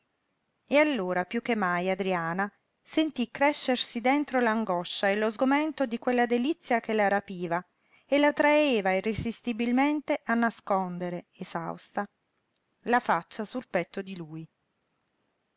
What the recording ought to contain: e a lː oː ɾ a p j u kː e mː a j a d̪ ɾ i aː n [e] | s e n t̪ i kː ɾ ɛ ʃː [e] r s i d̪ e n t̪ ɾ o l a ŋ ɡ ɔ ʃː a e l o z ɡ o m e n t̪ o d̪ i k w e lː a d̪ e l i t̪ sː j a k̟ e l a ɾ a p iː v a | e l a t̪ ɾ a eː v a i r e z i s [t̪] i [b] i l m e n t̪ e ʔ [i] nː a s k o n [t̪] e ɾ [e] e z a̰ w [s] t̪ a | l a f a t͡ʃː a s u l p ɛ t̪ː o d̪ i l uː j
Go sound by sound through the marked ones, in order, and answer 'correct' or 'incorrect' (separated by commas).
incorrect, correct, correct, correct, incorrect, incorrect, correct, correct